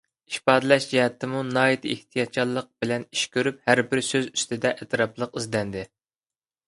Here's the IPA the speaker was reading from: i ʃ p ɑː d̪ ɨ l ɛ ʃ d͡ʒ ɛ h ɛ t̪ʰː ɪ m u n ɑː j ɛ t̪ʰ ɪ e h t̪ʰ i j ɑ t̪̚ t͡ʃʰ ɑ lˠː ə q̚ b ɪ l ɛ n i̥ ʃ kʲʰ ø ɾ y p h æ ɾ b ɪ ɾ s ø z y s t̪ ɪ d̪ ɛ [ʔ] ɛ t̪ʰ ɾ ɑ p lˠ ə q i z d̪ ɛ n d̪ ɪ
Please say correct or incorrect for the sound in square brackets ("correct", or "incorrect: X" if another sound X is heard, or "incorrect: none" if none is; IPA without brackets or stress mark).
correct